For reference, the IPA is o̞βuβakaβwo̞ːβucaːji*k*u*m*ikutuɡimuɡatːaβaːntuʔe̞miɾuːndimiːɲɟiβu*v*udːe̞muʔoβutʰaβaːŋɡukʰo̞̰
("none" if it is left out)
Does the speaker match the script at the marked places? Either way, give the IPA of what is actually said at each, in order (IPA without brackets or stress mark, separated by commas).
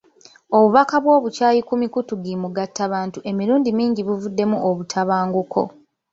k, m, v